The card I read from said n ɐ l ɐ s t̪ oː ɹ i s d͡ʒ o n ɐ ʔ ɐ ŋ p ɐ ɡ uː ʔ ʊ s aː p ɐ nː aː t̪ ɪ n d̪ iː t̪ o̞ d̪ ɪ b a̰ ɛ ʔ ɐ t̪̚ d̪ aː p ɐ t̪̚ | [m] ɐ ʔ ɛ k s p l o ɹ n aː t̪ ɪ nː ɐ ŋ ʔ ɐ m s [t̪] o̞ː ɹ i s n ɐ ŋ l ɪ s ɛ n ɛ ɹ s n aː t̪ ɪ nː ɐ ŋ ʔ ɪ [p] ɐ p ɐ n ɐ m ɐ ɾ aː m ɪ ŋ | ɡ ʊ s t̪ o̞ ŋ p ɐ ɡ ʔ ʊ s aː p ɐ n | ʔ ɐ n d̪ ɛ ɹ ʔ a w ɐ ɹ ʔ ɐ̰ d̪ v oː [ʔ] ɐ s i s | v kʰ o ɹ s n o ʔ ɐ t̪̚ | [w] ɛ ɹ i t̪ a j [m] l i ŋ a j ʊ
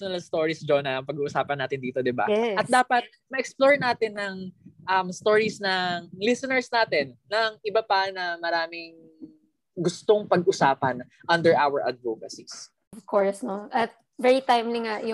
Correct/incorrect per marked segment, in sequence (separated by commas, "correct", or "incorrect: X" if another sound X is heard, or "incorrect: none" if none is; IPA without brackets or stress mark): correct, correct, incorrect: b, incorrect: k, incorrect: v, correct